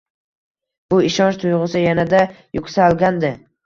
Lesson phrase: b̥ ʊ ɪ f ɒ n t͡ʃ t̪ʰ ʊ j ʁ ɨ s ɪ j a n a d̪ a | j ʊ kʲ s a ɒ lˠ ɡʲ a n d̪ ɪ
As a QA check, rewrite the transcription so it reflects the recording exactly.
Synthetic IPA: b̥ ʊ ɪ ʃ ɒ n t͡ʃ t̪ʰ ʊ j ʁ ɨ s ɪ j a n a d̪ a | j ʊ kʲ s a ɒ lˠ ɡʲ a n d̪ ɪ